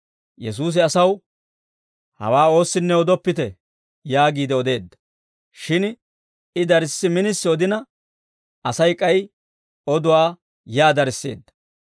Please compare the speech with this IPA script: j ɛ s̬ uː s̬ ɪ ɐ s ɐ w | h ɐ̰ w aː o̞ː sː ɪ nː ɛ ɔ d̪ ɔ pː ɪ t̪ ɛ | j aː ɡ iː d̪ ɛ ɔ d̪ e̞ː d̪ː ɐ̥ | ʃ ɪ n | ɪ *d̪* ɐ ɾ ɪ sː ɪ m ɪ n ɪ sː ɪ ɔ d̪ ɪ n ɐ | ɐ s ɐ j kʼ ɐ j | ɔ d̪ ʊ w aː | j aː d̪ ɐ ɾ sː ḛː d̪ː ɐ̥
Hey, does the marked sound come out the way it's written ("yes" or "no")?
yes